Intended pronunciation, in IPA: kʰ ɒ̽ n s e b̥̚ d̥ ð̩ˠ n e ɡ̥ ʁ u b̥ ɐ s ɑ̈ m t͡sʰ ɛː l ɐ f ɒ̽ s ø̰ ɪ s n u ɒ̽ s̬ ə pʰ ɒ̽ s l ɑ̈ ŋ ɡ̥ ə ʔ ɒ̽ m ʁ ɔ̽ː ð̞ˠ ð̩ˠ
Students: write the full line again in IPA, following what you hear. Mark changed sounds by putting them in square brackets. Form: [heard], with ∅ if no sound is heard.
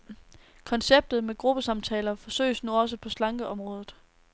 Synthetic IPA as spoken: kʰ ɒ̽ n s e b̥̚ d̥ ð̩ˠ [m] e ɡ̥ ʁ u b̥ [ə] s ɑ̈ m t͡sʰ ɛː l ɐ f ɒ̽ s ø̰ ɪ s n u ɒ̽ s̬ ə pʰ ɒ̽ s l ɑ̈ ŋ ɡ̥ ə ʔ ɒ̽ m ʁ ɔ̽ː ð̞ˠ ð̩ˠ